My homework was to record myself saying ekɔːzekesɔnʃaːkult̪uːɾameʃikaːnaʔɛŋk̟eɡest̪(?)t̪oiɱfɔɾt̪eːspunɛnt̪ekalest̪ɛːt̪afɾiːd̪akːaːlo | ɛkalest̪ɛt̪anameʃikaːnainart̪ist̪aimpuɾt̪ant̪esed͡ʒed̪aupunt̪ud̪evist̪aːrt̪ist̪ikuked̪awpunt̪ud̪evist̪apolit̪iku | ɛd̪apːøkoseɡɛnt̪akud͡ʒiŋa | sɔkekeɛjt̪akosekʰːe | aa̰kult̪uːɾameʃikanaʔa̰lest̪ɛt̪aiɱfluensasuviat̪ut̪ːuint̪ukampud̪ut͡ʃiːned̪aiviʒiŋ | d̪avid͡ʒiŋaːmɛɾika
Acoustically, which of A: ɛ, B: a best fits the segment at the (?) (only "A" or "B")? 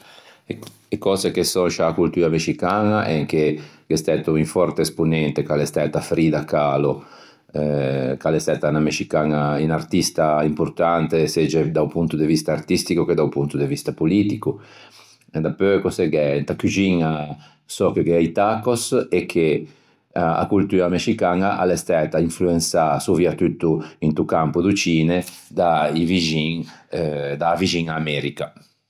A